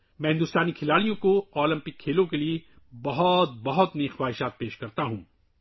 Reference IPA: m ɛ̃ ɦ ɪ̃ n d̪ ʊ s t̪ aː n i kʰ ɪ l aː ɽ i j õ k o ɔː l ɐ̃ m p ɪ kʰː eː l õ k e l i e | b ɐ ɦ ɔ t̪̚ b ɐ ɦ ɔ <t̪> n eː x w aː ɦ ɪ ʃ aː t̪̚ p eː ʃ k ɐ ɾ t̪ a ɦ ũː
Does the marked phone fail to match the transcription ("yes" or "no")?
no